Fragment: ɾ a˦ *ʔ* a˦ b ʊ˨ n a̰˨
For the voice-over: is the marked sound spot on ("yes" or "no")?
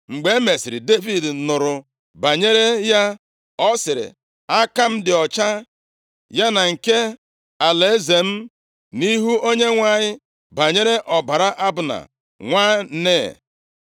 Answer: yes